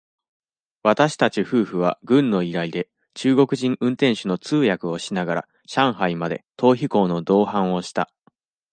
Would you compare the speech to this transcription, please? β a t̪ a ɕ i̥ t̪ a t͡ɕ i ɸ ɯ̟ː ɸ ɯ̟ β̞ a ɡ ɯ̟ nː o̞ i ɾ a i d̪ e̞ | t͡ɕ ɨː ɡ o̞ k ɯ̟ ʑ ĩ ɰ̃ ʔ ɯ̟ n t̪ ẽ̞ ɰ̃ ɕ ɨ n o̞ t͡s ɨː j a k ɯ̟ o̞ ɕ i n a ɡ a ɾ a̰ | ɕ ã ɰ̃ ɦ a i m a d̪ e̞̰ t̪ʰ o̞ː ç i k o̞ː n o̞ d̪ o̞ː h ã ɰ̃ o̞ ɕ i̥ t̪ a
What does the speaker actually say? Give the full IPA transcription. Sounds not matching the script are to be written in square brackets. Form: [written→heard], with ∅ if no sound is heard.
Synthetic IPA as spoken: β a t̪ a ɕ i̥ t̪ a t͡ɕ i ɸ ɯ̟ː ɸ ɯ̟ β̞ a ɡ [ɯ̟→ɯ̟̃] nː o̞ i ɾ a i d̪ e̞ | t͡ɕ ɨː ɡ o̞ k ɯ̟ ʑ ĩ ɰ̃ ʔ [ɯ̟→ɯ̟̃] n t̪ ẽ̞ ɰ̃ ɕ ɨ n o̞ t͡s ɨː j a k ɯ̟ o̞ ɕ i n a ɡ a ɾ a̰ | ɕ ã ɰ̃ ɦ a i m a d̪ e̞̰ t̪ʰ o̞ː ç i k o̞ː n o̞ d̪ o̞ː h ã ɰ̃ o̞ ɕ i̥ t̪ a